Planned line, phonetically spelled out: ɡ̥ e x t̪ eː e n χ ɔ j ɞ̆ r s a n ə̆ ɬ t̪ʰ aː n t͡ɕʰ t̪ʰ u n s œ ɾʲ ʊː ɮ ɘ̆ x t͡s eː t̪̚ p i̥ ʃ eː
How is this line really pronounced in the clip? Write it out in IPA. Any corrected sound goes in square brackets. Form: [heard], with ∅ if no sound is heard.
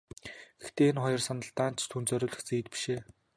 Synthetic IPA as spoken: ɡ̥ e x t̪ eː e n χ ɔ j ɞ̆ r s a n ə̆ ɬ [t̪] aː n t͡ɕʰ t̪ʰ u n [t͡s] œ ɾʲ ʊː ɮ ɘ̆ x t͡s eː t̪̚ p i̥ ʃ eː